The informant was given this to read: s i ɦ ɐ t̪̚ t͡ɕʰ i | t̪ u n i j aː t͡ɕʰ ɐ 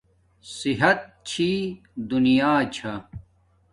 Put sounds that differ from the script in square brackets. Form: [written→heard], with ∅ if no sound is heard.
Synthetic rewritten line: s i ɦ ɐ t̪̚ t͡ɕʰ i | [t̪→d̪] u n i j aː t͡ɕʰ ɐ